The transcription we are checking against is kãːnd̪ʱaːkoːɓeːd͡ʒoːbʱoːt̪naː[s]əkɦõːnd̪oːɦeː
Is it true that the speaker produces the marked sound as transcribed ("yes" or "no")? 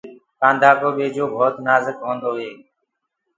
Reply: no